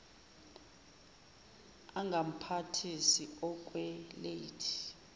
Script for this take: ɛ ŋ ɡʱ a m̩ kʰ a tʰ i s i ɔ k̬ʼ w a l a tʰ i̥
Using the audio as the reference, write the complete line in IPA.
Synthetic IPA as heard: a ŋ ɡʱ a m̩ pʰ a tʰ i s i ɔ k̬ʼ w ɛ l e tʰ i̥